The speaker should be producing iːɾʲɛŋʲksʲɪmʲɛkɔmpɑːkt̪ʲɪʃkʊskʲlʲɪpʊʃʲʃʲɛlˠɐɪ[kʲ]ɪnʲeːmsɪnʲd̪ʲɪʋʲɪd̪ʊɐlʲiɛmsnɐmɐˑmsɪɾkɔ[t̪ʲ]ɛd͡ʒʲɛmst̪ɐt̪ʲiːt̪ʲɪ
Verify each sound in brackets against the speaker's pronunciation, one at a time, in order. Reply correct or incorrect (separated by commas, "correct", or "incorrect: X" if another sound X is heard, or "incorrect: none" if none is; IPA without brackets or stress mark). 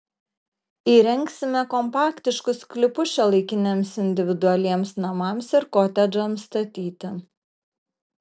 correct, correct